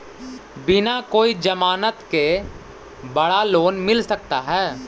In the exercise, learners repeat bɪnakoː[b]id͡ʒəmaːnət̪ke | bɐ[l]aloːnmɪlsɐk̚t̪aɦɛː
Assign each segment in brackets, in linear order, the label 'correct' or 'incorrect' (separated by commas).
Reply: incorrect, incorrect